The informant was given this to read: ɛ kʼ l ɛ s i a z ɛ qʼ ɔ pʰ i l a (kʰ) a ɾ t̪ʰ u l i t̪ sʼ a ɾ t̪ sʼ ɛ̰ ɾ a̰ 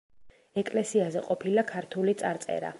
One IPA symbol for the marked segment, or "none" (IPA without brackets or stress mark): kʰ